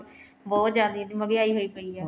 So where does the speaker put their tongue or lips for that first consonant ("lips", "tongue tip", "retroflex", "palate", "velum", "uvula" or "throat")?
lips